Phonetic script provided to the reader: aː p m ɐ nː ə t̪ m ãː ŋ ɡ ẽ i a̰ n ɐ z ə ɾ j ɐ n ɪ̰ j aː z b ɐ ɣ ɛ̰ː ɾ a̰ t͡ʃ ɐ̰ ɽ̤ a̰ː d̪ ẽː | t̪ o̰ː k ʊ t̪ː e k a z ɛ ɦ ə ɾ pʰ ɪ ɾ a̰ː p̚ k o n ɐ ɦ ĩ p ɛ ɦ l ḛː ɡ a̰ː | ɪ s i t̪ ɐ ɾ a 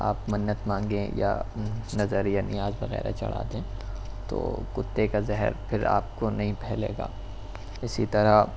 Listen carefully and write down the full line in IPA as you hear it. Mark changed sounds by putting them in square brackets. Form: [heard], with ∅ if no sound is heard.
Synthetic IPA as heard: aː p m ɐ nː ə t̪ m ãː ŋ ɡ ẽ [j] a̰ n ɐ z ə ɾ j [a] n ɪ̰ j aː z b ɐ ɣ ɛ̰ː ɾ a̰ t͡ʃ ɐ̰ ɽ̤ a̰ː d̪ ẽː | t̪ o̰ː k ʊ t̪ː e k a z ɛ ɦ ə ɾ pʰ ɪ ɾ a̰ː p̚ k o n ɐ ɦ ĩ p ɛ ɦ l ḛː ɡ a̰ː | ɪ s i t̪ ɐ ɾ a